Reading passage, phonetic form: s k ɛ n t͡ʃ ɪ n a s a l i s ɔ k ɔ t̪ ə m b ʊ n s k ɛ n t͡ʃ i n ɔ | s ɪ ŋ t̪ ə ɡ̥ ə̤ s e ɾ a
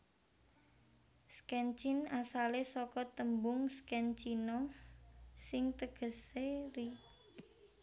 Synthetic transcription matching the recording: s k ɛ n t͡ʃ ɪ n a s a l e s ɔ k ɔ t̪ ə m b ʊ ŋ s k ɛ n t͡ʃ i n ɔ | s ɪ ŋ t̪ ə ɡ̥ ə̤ s e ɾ i

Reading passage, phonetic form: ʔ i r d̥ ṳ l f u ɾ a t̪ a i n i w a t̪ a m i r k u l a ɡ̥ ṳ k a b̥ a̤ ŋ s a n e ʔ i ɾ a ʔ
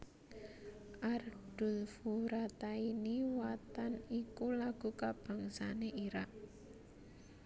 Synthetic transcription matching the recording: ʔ a r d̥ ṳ l f u ɾ a t̪ a i n i w a t̪ a n i k u l a ɡ̥ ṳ k a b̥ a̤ ŋ s a n e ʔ i ɾ a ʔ

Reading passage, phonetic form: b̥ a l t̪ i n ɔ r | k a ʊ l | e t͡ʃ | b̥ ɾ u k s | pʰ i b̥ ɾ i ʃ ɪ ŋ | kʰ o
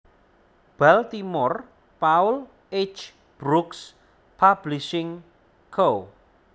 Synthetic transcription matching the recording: b̥ a l t̪ i m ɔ r | p a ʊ l | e t͡ʃ | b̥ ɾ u k s | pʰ a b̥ l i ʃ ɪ ŋ | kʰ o

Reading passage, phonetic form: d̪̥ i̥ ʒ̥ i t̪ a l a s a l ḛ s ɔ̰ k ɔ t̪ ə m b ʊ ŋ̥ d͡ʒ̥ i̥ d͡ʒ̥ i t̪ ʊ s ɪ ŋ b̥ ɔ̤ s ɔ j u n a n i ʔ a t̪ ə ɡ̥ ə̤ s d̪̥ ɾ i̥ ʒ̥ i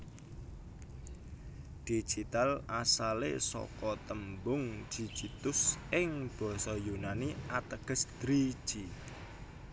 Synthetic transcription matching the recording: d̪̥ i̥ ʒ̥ i t̪ a l a s a l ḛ s ɔ̰ k ɔ t̪ ə m b ʊ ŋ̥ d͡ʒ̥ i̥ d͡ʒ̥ i t̪ ʊ s ɪ ŋ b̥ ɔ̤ s ɔ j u n a n i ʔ a t̪ ə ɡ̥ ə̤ s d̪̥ ɾ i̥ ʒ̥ i

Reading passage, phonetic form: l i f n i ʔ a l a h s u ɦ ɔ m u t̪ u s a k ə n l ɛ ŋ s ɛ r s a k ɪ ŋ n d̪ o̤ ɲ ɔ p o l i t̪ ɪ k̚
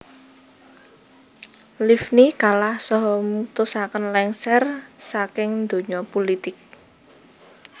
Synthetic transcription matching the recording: l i f n i k a l a h s ɔ ɦ ɔ m u t̪ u s a k ə n l ɛ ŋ s ɛ r s a k ɪ ŋ n d̪ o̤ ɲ ɔ p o l i t̪ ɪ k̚

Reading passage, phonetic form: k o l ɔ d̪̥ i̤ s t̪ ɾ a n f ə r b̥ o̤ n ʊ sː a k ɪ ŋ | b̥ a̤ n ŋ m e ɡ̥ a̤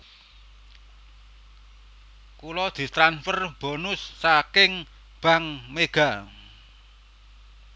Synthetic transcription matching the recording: k u l ɔ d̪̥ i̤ s t̪ ɾ a n f ə r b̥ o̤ n ʊ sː a k ɪ ŋ | b̥ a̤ ŋ m e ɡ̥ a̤

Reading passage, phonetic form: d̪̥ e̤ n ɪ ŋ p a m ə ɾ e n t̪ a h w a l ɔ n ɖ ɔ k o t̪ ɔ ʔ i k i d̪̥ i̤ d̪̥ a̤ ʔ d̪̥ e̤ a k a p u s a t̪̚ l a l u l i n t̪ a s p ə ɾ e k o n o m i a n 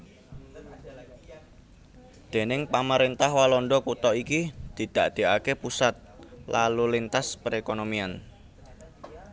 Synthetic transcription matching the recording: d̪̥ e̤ n ɪ ŋ p a m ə ɾ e n t̪ a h w a l ɔ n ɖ ɔ k u t̪ ɔ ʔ i k i d̪̥ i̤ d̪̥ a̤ ʔ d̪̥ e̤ a k e p u s a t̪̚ l a l u l i n t̪ a s p ə ɾ e k o n o m i a n

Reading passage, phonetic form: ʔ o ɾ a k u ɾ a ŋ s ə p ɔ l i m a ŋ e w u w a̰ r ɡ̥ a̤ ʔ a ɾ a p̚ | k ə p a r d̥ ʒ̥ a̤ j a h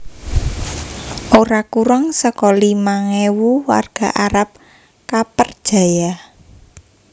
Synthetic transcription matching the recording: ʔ o ɾ a k u ɾ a ŋ s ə k ɔ l i m a ŋ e w u w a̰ r ɡ̥ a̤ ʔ a ɾ a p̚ | k a p ə r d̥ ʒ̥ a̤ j a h

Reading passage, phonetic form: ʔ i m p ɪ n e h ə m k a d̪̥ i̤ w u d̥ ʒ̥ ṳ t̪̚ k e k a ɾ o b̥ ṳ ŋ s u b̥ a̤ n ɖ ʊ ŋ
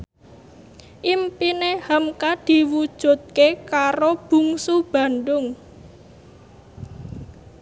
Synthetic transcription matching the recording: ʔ i m p i n e h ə m k a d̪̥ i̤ w u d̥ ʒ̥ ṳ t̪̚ k e k a ɾ o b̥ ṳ ŋ s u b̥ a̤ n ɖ ʊ ŋ

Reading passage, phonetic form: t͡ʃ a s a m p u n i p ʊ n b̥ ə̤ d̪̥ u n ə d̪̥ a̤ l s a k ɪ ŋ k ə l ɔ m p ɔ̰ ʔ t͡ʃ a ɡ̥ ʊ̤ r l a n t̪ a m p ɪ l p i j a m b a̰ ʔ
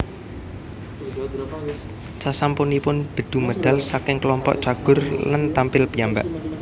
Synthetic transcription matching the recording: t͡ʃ a s a m p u n i p ʊ n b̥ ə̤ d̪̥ u m ə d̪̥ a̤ l s a k ɪ ŋ k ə l ɔ m p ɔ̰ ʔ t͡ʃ a ɡ̥ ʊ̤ r l a n t̪ a m p ɪ l p i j a m b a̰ ʔ

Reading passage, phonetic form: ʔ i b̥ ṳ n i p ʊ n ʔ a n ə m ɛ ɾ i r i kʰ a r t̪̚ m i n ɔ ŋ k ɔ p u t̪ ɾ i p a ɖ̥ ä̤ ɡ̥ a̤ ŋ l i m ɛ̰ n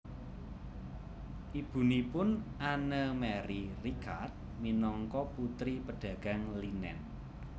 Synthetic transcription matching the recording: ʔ i b̥ ṳ n i p ʊ n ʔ a n ə m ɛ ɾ i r i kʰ a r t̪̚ m i n ɔ ŋ k ɔ p u t̪ ɾ i p ə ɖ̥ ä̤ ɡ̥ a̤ ŋ l i n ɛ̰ n

